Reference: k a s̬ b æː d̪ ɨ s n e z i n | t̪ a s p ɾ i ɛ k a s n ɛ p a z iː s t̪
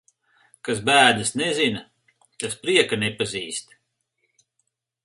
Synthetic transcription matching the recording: k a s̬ b æː d̪ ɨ s n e z i n | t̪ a s p ɾ i ɛ k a n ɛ p a z iː s t̪